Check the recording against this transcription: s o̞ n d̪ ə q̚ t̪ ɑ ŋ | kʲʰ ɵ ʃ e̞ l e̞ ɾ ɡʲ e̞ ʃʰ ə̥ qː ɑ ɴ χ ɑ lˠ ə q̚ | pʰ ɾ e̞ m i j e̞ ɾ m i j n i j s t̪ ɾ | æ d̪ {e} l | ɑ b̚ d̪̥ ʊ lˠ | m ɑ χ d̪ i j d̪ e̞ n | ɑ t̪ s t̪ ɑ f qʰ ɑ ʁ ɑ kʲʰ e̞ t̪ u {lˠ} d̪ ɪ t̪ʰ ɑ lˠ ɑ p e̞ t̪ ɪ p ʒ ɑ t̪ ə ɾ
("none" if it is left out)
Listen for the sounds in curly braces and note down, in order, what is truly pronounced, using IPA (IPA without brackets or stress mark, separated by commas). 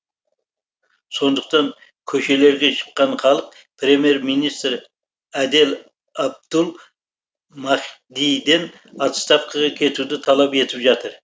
e, none